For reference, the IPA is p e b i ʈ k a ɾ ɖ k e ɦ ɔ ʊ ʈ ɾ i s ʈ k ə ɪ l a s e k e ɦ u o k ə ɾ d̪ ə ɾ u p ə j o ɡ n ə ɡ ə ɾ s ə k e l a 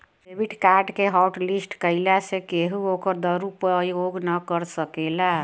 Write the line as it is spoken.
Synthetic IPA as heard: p e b i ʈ k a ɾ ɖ k e ɦ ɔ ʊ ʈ l i s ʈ k ə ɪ l a s e k e ɦ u o k ə ɾ d̪ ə ɾ u p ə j o ɡ n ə k ə ɾ s ə k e l a

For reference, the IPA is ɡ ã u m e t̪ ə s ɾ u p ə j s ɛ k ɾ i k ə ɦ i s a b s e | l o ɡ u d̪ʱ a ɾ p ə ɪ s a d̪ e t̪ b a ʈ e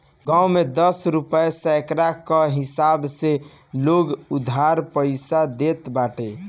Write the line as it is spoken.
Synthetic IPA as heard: ɡ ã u m e d̪ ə s ɾ u p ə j s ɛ k ɾ a k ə ɦ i s a b s e | l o ɡ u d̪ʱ a ɾ p ə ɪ s a d̪ e t̪ b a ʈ e

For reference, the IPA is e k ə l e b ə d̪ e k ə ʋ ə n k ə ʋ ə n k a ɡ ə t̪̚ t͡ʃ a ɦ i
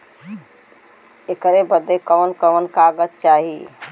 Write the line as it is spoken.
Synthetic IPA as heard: e k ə ɾ e b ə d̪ e k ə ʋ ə n k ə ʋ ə n k a ɡ ə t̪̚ t͡ʃ a ɦ i

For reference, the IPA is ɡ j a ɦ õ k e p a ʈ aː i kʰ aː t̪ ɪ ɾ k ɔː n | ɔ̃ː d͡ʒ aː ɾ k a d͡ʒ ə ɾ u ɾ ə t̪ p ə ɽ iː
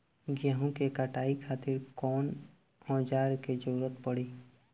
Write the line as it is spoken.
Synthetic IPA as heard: ɡ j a ɦ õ k e k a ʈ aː i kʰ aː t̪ ɪ ɾ k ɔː n | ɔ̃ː d͡ʒ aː ɾ k e d͡ʒ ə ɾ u ɾ ə t̪ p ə ɽ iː

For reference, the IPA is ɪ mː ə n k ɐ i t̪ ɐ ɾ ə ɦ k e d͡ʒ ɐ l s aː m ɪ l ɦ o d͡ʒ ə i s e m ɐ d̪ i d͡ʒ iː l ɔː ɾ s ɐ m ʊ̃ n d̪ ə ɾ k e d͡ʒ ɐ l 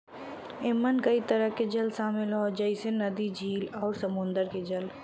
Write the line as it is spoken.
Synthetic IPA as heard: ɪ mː ə n k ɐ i t̪ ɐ ɾ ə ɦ k e d͡ʒ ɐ l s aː m ɪ l ɦ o d͡ʒ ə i s e n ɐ d̪ i d͡ʒ iː l ɔː ɾ s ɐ m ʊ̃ n d̪ ə ɾ k e d͡ʒ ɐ l

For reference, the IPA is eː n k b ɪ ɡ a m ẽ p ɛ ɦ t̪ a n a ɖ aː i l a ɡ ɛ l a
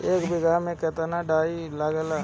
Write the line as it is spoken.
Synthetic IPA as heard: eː k b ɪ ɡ a m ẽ k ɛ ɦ t̪ a n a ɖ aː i l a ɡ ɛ l a

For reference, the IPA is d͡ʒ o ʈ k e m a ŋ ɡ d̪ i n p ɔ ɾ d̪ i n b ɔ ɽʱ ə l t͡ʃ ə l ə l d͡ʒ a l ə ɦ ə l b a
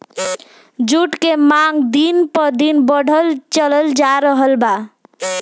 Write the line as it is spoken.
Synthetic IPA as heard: d͡ʒ u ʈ k e m a ŋ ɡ d̪ i n p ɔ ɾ d̪ i n b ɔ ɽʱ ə l t͡ʃ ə l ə l d͡ʒ a ɾ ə ɦ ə l b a

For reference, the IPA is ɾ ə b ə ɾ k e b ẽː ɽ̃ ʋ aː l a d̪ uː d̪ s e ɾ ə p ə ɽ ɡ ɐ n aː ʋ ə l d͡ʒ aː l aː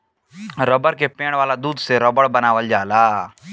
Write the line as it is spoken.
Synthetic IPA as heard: ɾ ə b ə ɾ k e p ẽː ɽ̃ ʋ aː l a d̪ uː d̪ s e ɾ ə b ə ɽ b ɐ n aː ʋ ə l d͡ʒ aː l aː

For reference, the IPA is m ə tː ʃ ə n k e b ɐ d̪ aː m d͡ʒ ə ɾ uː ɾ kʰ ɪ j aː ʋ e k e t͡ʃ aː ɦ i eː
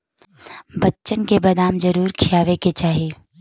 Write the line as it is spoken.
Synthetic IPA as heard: b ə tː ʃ ə n k e b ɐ d̪ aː m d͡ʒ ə ɾ uː ɾ kʰ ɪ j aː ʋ e k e t͡ʃ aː ɦ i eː

